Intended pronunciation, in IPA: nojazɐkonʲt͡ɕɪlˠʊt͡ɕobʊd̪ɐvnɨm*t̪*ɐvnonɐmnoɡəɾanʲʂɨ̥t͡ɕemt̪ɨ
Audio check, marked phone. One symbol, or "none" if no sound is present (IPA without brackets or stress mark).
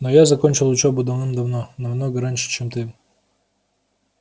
d̪